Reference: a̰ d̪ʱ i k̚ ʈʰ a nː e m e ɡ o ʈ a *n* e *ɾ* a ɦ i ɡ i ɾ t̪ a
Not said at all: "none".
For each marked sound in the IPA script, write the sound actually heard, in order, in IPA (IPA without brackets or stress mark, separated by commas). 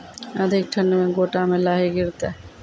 m, l